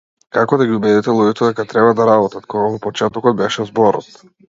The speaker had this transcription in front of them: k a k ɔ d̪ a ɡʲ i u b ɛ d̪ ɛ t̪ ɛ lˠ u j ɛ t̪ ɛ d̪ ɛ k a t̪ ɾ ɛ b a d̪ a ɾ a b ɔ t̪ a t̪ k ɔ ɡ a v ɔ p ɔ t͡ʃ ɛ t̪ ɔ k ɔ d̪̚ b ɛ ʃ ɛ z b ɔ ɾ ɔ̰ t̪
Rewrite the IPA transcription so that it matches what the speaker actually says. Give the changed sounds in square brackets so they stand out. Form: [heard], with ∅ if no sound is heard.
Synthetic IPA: k a k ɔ d̪ a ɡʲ i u b ɛ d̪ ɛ t̪ ɛ lˠ u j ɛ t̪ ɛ d̪ ɛ k a t̪ ɾ ɛ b a d̪ a ɾ a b ɔ t̪ a t̪ k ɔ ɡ a v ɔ p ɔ t͡ʃ ɛ t̪ ɔ k ɔ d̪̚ b ɛ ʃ ɛ z b ɔ ɾ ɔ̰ t̪